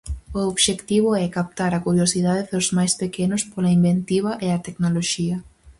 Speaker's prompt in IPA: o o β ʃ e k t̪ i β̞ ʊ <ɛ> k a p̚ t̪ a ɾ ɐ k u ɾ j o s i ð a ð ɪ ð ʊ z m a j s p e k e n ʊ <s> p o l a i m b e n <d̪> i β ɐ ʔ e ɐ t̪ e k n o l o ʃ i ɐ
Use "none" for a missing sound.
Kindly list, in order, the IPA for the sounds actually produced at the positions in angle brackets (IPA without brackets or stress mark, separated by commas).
ɛ, s, t̪